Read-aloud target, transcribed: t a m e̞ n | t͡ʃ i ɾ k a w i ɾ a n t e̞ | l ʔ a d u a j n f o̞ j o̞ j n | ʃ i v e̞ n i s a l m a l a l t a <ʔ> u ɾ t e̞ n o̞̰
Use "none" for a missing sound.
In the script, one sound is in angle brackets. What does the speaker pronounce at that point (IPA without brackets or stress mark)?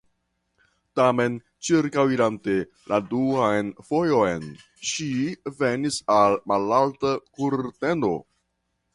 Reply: k